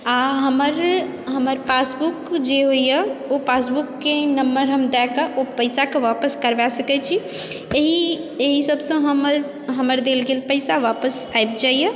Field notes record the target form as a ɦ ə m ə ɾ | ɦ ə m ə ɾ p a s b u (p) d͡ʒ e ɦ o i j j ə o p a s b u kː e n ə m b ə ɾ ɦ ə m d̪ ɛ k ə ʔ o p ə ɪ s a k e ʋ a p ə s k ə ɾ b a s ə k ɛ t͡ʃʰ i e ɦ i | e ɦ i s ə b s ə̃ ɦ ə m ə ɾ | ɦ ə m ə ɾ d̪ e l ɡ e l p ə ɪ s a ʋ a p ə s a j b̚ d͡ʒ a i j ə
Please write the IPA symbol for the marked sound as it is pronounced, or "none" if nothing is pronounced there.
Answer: k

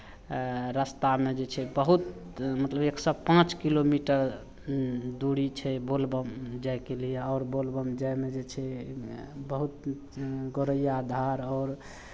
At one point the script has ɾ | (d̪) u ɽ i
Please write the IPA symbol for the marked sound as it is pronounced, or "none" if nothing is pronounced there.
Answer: d̪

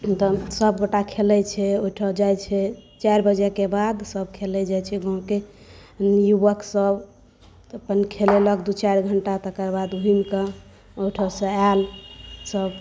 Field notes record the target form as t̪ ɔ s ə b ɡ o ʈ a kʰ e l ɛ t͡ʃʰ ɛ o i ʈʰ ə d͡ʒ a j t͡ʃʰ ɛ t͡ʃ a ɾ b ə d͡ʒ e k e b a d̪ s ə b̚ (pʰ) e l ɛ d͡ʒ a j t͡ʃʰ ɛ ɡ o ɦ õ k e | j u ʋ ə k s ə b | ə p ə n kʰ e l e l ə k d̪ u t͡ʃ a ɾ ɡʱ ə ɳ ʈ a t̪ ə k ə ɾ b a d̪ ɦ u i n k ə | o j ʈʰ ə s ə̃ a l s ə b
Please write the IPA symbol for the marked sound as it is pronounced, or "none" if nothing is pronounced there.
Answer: kʰ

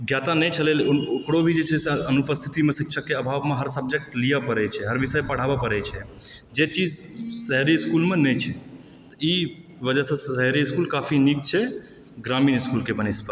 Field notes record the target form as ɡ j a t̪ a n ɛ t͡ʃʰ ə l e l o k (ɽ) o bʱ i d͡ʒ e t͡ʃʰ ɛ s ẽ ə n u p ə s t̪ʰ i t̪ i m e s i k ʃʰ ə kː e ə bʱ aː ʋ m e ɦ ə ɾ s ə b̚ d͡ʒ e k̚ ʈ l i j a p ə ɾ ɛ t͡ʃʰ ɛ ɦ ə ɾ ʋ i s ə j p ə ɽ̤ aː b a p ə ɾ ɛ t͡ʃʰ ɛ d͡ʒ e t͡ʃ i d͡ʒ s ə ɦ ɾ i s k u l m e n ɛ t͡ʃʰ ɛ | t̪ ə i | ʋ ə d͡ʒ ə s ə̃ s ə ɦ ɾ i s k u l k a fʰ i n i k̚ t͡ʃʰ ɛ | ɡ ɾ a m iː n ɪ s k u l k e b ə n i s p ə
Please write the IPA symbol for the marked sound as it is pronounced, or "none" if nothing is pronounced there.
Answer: ɽ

